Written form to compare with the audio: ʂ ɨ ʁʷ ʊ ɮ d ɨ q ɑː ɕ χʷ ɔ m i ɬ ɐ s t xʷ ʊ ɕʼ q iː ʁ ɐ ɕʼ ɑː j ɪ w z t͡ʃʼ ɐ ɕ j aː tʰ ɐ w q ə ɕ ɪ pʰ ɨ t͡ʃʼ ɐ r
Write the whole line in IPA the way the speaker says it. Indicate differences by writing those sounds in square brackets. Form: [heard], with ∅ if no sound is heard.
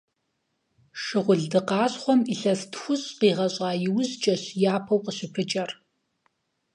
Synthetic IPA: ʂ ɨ ʁʷ ʊ ɮ d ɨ q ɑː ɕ χʷ ɔ m i ɬ ɐ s t xʷ ʊ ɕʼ q iː ʁ ɐ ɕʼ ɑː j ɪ w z t͡ʃʼ ɐ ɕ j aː [pʰ] ɐ w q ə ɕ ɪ pʰ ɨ t͡ʃʼ ɐ r